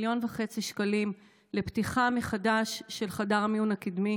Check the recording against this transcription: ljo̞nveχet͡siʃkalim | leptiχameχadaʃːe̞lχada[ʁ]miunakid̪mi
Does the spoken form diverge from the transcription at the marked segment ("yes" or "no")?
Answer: no